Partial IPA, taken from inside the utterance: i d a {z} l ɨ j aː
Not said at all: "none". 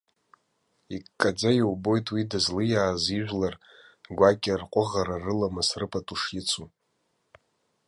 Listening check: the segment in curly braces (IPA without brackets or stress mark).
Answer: z